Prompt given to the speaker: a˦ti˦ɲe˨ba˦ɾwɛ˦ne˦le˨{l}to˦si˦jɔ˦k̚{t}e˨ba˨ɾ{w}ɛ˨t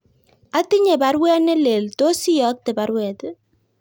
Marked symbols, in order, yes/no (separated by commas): yes, yes, yes